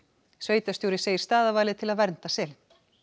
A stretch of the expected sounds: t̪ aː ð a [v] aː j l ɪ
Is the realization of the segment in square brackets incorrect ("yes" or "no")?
no